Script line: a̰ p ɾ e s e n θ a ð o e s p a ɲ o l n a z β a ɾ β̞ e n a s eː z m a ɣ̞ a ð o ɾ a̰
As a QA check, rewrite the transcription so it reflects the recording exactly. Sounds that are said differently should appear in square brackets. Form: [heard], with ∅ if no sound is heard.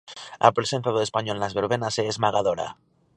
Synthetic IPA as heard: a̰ p ɾ e s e n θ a ð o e s p a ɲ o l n a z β [e] ɾ β̞ e n a s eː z m a ɣ̞ a ð o ɾ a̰

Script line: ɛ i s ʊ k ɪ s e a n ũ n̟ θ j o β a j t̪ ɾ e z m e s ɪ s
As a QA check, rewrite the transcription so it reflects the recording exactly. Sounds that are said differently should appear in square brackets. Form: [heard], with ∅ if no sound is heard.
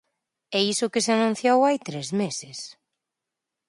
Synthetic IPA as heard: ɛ i s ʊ k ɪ s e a n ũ n̟ θ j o [w] a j t̪ ɾ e z m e s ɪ s

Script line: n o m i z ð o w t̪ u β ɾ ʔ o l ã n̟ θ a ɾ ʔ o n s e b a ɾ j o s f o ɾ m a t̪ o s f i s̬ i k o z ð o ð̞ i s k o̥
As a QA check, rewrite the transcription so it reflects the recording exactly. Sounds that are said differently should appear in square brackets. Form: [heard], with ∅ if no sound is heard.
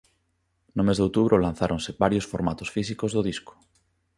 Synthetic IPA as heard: n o m [e] z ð o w t̪ u β ɾ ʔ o l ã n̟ θ a ɾ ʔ o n s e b a ɾ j o s f o ɾ m a t̪ o s f i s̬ i k o z ð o ð̞ i s k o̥

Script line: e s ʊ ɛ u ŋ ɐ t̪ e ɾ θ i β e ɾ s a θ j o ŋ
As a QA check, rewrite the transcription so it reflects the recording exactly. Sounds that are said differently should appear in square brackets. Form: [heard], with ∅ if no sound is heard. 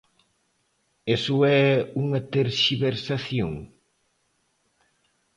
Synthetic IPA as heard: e s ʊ ɛ u ŋ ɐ t̪ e ɾ [ʃ] i β e ɾ s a θ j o ŋ

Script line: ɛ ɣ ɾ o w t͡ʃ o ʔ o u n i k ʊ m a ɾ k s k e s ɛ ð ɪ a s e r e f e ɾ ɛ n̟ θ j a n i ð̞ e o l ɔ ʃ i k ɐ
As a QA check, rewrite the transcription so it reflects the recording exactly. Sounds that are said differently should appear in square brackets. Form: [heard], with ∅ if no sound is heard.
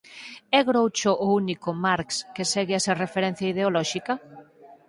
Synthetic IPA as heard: ɛ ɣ ɾ o w t͡ʃ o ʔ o u n i k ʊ m a ɾ k s k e s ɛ [ɣ] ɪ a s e r e f e ɾ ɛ n̟ θ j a [∅] i ð̞ e o l ɔ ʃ i k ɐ

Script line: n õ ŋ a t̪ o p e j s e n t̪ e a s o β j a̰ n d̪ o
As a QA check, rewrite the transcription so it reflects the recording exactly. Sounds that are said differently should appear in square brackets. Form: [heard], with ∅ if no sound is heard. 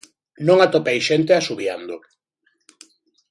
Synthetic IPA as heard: n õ ŋ a t̪ o p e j [ʃ] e n t̪ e a s [u] β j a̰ n d̪ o

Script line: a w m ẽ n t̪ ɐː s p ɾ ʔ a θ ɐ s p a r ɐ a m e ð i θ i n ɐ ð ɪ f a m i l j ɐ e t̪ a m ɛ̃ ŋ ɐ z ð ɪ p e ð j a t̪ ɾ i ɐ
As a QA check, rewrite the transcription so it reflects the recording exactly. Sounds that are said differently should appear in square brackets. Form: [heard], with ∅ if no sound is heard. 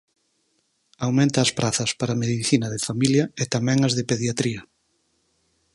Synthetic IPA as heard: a w m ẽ n t̪ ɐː s p ɾ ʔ a θ ɐ s p a [ɾ] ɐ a m e ð i θ i n ɐ ð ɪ f a m i l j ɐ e t̪ a m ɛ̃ ŋ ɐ z ð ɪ p e ð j a t̪ ɾ i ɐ

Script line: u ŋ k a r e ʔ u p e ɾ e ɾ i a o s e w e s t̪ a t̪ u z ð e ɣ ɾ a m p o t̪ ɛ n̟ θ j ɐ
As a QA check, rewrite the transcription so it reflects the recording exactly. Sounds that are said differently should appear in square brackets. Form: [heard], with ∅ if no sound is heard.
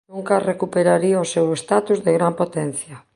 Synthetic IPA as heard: u ŋ k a r e [k] u p e ɾ [a] ɾ i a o s e w e s t̪ a t̪ u z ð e ɣ ɾ a m p o t̪ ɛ n̟ θ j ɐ

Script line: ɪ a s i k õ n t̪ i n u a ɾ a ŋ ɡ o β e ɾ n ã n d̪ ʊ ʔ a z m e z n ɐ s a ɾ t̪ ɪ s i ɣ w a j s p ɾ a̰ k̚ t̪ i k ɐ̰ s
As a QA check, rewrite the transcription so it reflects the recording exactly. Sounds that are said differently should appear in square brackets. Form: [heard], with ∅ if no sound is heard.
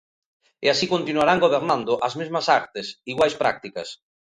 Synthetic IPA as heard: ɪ a s i k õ n t̪ i n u a ɾ a ŋ ɡ o β e ɾ n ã n d̪ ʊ ʔ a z m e z [m] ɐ s a ɾ t̪ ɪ s i ɣ w a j s p ɾ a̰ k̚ t̪ i k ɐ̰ s

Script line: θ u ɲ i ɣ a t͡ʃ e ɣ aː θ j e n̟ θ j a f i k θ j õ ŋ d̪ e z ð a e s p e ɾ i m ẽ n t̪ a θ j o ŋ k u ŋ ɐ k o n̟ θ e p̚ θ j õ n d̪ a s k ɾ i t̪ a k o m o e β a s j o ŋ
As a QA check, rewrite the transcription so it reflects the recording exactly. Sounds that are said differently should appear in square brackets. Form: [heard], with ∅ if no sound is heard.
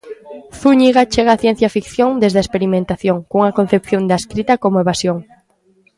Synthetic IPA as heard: θ u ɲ i ɣ a t͡ʃ e ɣ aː θ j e n̟ θ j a f i k θ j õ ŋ d̪ e z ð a e s p e ɾ i m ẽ n t̪ a θ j o ŋ k u ŋ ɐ k o n̟ θ e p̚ θ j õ n d̪ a s k ɾ i t̪ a k o m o e β a s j o ŋ

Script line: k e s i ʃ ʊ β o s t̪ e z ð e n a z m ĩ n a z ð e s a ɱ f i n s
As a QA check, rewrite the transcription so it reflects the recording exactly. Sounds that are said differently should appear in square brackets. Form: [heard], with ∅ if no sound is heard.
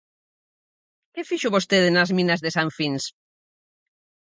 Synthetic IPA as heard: k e [f] i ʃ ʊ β o s t̪ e [∅] ð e n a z m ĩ n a z ð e s a ɱ f i n s

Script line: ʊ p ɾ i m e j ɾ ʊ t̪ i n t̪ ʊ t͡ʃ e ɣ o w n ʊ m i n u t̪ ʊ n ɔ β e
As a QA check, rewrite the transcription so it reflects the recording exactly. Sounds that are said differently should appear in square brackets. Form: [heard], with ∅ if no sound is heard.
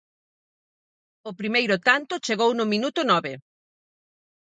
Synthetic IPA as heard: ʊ p ɾ i m e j ɾ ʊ t̪ [a] n t̪ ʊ t͡ʃ e ɣ o w n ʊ m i n u t̪ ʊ n ɔ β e

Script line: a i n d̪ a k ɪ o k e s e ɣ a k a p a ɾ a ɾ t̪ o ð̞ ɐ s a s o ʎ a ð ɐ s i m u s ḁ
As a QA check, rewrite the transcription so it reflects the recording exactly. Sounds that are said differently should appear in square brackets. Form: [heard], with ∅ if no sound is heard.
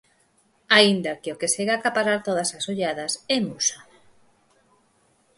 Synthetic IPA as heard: a i n d̪ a k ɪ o k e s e ɣ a k a p a ɾ a ɾ t̪ o ð̞ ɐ s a s o ʎ a ð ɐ s [ɛ] m u s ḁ

